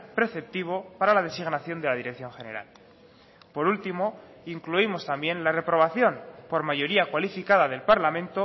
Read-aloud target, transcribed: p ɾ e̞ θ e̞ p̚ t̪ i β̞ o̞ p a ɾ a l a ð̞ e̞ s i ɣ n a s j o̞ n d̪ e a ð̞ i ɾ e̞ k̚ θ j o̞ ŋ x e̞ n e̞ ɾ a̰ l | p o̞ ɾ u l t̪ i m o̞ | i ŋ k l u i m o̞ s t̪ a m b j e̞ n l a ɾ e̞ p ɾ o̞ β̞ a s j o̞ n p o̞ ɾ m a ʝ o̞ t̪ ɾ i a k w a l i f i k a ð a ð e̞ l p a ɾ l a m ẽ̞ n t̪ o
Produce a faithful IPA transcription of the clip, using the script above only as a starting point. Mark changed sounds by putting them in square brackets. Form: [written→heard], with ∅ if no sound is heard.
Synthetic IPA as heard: p ɾ e̞ θ e̞ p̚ t̪ i β̞ o̞ p a ɾ a l a ð̞ e̞ s i ɣ n a [s→θ] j o̞ n d̪ e a ð̞ i ɾ e̞ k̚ θ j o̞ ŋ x e̞ n e̞ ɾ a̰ l | p o̞ ɾ u l t̪ i m o̞ | i ŋ k l u i m o̞ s t̪ a m b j e̞ n l a [ɾ→r] e̞ p ɾ o̞ β̞ a [s→θ] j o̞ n p o̞ ɾ m a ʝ o̞ [t̪→∅] ɾ i a k w a l i f i k a ð a ð e̞ l p a ɾ l a m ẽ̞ n t̪ o